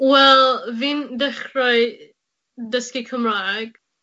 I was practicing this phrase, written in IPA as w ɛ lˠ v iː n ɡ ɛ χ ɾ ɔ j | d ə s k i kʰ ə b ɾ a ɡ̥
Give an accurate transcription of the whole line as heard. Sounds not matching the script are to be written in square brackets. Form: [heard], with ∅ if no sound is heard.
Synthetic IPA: w ɛ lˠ v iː n [d] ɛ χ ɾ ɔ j | d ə s k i kʰ ə [m] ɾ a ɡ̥